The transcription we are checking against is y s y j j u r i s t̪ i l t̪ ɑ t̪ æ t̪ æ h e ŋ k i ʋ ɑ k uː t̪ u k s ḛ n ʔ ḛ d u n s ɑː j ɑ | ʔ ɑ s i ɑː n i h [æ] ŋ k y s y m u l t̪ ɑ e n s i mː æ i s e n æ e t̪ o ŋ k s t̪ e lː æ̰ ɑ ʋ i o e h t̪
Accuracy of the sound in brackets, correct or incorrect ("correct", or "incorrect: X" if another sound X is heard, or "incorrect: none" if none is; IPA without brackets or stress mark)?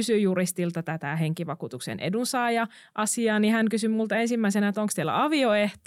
correct